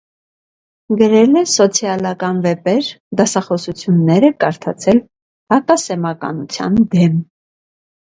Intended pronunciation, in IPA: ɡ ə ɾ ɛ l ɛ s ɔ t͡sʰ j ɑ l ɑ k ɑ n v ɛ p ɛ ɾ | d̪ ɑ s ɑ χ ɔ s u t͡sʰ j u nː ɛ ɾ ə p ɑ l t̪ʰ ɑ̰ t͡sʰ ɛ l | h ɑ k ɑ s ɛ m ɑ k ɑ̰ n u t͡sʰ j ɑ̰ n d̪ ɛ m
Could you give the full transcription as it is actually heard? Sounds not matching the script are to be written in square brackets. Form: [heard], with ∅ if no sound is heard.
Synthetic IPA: ɡ ə ɾ ɛ l ɛ s ɔ t͡sʰ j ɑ l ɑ k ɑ n v ɛ p ɛ ɾ | d̪ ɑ s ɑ χ ɔ s u t͡sʰ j u nː ɛ ɾ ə [k] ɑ [ɾ] t̪ʰ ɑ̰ t͡sʰ ɛ l | h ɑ k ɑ s ɛ m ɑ k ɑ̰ n u t͡sʰ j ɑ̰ n d̪ ɛ m

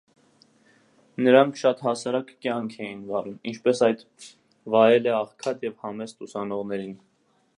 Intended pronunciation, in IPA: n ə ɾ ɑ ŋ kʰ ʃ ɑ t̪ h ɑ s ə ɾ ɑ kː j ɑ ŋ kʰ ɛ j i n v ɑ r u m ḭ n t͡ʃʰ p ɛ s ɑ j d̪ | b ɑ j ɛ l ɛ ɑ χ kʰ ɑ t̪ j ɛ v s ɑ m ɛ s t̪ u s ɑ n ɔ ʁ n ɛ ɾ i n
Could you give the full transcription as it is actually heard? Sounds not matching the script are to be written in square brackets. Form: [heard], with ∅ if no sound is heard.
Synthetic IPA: n ə ɾ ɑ ŋ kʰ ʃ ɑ t̪ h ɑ s [ɑ] ɾ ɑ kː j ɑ ŋ kʰ ɛ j i n v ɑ [ɾ] u m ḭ n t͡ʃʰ p ɛ s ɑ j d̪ | [v] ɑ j ɛ l ɛ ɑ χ kʰ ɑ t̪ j ɛ v [h] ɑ m ɛ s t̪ u s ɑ n ɔ ʁ n ɛ ɾ i n

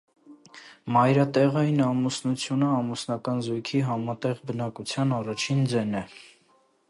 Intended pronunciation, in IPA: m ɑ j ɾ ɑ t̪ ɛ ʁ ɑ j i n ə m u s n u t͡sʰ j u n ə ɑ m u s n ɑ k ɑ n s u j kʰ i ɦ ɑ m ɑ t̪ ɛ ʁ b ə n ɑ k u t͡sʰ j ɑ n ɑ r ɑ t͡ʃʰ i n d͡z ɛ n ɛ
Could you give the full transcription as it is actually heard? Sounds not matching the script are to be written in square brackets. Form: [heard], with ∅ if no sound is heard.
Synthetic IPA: m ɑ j ɾ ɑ t̪ ɛ ʁ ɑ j i n [ɑ] m u s n u t͡sʰ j u n ə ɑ m u s n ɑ k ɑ n [z] u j kʰ i ɦ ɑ m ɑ t̪ ɛ ʁ b ə n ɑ k u t͡sʰ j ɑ n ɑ r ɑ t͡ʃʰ i n d͡z ɛ n ɛ

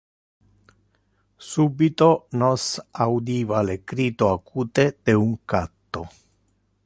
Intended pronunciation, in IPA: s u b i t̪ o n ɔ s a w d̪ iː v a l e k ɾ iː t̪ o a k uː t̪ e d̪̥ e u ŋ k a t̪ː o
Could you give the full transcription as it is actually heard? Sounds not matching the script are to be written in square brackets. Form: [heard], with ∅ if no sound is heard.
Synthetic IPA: s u b i t̪ o n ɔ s a w d̪ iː v a l e k ɾ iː t̪ o a k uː t̪ e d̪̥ e u ŋ k a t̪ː o

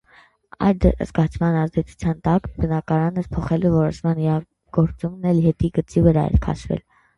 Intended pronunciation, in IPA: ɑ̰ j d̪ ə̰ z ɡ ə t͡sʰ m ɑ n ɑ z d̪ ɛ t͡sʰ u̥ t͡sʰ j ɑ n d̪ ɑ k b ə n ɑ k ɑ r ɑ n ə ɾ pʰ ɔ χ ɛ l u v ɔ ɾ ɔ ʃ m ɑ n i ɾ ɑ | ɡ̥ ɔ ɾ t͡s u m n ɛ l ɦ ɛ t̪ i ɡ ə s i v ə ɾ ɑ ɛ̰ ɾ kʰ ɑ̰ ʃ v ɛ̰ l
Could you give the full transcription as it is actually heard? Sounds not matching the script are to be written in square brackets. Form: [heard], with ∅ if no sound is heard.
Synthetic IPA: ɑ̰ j d̪ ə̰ z ɡ [ɑ] t͡sʰ m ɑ n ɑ z d̪ ɛ t͡sʰ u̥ t͡sʰ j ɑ n [t̪] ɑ k b ə n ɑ k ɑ [ɾ] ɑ n ə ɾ pʰ ɔ χ ɛ l u v ɔ ɾ ɔ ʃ m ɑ n i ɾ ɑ | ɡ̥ ɔ ɾ t͡s u m n ɛ l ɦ ɛ t̪ i ɡ ə [t͡s] i v ə ɾ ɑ ɛ̰ ɾ kʰ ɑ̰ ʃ v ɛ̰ l

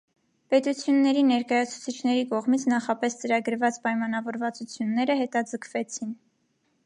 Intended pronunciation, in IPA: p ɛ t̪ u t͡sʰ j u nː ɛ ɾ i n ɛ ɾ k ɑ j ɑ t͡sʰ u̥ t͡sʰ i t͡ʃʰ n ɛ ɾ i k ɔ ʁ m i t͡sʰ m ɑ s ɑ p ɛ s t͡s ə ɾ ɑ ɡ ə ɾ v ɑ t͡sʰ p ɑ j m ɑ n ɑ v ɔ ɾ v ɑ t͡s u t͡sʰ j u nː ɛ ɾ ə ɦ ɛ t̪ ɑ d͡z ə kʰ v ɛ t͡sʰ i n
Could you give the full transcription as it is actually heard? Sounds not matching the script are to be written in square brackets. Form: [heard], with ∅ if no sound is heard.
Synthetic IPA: p ɛ t̪ u t͡sʰ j u nː ɛ ɾ i n ɛ ɾ k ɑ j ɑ t͡sʰ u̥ t͡sʰ i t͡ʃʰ n ɛ ɾ i k ɔ ʁ m i t͡sʰ [n] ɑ [χ] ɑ p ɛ s t͡s ə ɾ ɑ ɡ ə ɾ v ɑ [t͡s] p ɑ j m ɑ n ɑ v ɔ ɾ v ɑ t͡s u t͡sʰ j u nː ɛ ɾ ə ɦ ɛ t̪ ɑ d͡z ə kʰ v ɛ t͡sʰ i n

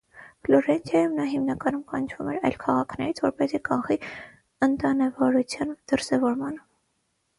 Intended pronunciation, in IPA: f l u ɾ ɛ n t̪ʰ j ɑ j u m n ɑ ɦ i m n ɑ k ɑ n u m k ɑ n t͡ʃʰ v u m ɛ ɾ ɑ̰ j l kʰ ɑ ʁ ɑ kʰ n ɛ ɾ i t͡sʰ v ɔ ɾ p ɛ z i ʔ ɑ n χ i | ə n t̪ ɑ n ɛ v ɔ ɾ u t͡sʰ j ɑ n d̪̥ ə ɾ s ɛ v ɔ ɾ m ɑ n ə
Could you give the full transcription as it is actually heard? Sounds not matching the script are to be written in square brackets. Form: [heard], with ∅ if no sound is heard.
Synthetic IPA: f l [ɔ] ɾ ɛ n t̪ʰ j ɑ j u m n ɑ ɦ i m n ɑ k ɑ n u m k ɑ n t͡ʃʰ v u m ɛ ɾ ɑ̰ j l kʰ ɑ ʁ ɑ kʰ n ɛ ɾ i t͡sʰ v ɔ ɾ p ɛ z i [k] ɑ n χ i | ə n t̪ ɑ n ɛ v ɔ ɾ u t͡sʰ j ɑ n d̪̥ ə ɾ s ɛ v ɔ ɾ m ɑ n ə

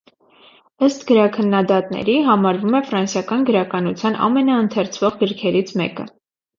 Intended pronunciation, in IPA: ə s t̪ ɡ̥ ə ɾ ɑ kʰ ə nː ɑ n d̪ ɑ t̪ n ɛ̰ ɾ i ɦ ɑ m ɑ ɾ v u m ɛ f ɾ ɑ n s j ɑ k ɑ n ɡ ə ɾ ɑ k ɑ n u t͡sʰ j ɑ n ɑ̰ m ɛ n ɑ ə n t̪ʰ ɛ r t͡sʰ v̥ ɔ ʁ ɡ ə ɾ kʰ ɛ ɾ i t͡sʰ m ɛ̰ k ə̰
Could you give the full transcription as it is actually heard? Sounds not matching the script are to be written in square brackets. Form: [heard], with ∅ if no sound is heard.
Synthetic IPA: ə s t̪ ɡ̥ ə ɾ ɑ kʰ ə nː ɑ [∅] d̪ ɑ t̪ n ɛ̰ ɾ i ɦ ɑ m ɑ ɾ v u m ɛ f ɾ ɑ n s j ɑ k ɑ n ɡ ə ɾ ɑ k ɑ n u t͡sʰ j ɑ n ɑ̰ m ɛ n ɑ ə n t̪ʰ ɛ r t͡sʰ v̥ ɔ ʁ ɡ ə ɾ kʰ ɛ ɾ i t͡sʰ m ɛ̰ k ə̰

